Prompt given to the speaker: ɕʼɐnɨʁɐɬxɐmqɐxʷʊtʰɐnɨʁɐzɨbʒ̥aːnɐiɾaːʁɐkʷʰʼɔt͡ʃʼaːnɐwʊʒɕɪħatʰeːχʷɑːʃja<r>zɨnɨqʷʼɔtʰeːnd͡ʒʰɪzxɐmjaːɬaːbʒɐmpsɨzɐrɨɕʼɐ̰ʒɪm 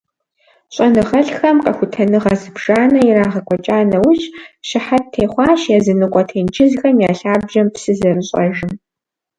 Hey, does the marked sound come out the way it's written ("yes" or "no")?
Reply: no